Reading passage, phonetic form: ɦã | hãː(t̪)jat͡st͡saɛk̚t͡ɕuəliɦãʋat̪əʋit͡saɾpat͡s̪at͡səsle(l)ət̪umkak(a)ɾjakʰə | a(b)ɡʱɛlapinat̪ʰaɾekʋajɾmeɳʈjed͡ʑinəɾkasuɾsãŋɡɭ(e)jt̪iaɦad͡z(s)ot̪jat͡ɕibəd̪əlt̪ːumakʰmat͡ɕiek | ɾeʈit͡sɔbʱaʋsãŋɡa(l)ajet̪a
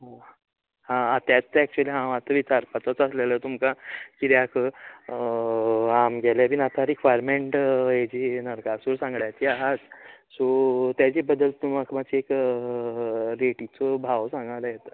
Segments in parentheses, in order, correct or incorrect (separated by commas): correct, correct, incorrect, incorrect, incorrect, correct, correct